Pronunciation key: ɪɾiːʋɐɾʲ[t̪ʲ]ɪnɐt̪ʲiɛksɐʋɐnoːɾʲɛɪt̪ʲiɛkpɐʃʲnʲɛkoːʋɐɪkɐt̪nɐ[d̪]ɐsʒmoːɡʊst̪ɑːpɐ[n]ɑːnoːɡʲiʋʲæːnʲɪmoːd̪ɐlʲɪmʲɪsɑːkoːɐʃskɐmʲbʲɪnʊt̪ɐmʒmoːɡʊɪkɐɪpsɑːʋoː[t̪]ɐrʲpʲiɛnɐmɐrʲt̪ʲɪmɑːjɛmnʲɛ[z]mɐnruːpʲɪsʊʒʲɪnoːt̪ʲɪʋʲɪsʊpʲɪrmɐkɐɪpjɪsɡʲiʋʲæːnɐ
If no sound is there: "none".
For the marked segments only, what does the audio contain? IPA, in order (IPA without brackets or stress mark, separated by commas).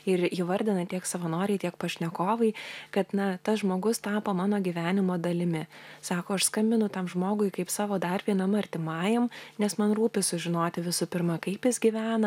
d̪ʲ, t̪, m, d̪, s